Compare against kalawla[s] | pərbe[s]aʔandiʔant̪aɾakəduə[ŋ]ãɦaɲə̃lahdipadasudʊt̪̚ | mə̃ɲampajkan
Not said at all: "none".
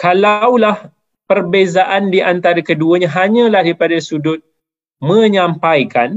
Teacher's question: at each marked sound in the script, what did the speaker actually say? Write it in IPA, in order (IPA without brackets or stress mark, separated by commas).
h, z, ɲ